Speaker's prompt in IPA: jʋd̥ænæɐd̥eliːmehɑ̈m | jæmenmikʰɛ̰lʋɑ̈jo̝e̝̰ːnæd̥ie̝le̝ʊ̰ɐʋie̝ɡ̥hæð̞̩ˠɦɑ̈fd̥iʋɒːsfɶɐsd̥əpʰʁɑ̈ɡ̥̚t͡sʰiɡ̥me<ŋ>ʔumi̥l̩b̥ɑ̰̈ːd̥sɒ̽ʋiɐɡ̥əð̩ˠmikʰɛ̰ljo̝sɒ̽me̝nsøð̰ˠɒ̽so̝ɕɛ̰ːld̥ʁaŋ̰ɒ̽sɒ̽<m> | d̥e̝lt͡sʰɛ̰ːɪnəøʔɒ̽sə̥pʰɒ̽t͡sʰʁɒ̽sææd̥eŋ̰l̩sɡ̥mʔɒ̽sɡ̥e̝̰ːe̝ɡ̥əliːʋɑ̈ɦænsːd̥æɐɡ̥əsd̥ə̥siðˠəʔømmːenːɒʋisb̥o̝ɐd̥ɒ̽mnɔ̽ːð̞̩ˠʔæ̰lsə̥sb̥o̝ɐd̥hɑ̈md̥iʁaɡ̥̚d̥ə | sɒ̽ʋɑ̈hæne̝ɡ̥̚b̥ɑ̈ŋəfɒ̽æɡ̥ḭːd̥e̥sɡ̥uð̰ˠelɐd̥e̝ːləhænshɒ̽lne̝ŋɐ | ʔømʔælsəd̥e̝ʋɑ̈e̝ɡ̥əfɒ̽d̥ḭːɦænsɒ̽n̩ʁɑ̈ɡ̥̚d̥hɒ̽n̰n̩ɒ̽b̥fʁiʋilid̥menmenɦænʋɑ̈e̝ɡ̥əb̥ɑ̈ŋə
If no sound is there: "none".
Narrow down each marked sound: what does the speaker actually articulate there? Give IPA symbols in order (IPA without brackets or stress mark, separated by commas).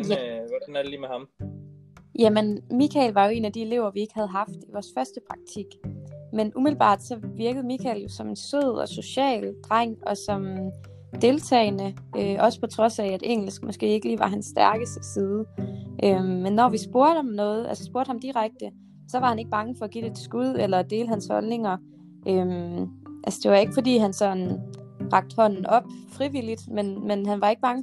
n, m